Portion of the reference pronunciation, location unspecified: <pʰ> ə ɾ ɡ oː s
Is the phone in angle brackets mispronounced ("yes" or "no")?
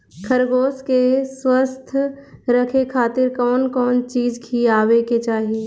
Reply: yes